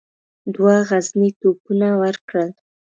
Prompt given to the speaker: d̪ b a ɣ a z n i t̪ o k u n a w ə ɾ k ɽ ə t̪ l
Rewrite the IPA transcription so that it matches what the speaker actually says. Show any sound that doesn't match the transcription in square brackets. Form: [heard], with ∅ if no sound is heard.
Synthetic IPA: d̪ [w] a ɣ a z n i t̪ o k u n a w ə ɾ k ɽ ə [∅] l

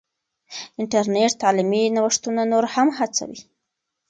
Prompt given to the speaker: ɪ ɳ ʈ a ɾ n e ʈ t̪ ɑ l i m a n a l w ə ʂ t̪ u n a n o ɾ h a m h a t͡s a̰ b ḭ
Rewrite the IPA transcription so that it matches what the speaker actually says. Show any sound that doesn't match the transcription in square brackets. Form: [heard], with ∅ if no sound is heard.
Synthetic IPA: ɪ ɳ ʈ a ɾ n e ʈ t̪ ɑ l i m [i] n a [∅] w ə ʂ t̪ u n a n o ɾ h a m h a t͡s a̰ [w] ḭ

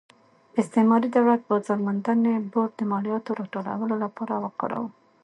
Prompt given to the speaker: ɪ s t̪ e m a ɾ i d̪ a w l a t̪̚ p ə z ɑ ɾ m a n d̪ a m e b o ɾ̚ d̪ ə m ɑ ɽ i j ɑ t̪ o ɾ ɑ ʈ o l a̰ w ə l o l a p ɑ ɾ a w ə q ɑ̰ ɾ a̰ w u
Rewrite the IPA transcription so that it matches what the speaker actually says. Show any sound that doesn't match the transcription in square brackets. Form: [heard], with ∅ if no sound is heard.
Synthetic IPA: ɪ s t̪ e m [ɑ] ɾ i d̪ a w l a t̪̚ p ə z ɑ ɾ m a n d̪ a [n] e b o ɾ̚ d̪ ə m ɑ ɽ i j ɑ t̪ o ɾ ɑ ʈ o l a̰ w ə l o l a p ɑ ɾ a w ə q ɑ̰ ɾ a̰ w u

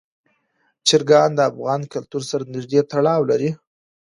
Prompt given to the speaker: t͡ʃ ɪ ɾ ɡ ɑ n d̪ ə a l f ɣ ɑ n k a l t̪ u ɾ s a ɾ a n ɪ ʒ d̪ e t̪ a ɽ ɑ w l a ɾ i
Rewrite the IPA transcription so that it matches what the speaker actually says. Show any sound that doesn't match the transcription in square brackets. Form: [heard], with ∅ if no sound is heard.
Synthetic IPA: t͡ʃ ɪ ɾ ɡ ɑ n d̪ ə a [∅] f ɣ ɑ n k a l t̪ u ɾ s a ɾ a n ɪ ʒ d̪ e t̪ a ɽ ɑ w l a ɾ i

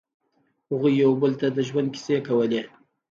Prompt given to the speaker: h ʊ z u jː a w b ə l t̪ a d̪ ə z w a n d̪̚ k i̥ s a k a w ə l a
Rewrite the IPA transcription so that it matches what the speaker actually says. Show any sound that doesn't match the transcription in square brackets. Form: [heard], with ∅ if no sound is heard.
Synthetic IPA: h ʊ [ɣ] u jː a w b ə l t̪ a d̪ ə [ʒ] w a n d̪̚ k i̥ s [e] k a w ə l [e]

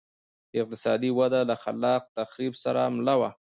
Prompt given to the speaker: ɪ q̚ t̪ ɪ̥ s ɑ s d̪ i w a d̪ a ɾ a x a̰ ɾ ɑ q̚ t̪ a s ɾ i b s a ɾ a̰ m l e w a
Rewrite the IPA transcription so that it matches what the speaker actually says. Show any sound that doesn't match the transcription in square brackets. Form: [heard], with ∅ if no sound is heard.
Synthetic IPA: ɪ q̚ t̪ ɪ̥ s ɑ [∅] d̪ i w a d̪ a [l] a x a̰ [l] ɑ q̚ t̪ a [x] ɾ i b s a ɾ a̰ m l [a] w a

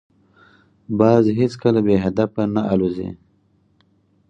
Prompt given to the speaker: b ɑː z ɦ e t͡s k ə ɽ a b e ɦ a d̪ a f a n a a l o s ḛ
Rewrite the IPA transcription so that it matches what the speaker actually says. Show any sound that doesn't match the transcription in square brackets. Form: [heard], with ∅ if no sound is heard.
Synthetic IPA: b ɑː z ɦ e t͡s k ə [l] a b e ɦ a d̪ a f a n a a l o [z] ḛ

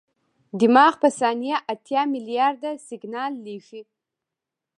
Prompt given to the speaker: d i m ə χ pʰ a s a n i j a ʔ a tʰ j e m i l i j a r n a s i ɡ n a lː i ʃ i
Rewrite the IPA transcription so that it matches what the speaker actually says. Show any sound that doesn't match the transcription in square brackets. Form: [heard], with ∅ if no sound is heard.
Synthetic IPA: d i m [a] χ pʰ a s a n i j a ʔ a tʰ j [a] m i l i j a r [d] a s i ɡ n a lː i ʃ i

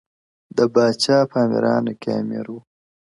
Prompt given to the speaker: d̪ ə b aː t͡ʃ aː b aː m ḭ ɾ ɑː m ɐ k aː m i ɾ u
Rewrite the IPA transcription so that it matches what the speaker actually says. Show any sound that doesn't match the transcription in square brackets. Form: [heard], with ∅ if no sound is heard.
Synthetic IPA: d̪ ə b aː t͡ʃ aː [p] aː m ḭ ɾ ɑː [n] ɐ k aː m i ɾ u

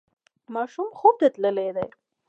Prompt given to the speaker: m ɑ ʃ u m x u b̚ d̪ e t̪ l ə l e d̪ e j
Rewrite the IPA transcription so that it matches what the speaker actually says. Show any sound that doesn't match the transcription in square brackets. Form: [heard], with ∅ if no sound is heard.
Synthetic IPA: m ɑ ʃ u m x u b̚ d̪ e t̪ l ə l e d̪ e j

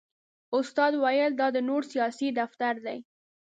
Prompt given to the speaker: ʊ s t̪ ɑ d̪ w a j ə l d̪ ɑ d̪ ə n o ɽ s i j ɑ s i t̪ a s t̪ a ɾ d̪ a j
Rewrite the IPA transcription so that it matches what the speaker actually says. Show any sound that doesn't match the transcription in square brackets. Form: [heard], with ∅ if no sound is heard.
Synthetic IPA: ʊ s t̪ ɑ d̪ w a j ə l d̪ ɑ d̪ ə n o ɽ s i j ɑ s i [d̪] a [f] t̪ a ɾ d̪ a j

